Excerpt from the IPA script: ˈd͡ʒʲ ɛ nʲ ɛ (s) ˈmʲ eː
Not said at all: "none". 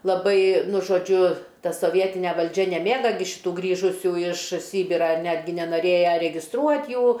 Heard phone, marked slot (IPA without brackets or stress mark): none